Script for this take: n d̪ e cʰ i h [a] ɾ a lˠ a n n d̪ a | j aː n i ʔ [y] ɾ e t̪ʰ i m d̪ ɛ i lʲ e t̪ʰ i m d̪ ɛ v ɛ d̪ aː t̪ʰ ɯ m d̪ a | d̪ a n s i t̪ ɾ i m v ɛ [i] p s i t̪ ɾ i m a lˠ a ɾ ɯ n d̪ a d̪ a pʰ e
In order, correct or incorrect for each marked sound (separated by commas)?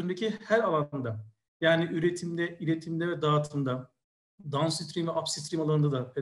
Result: incorrect, correct, incorrect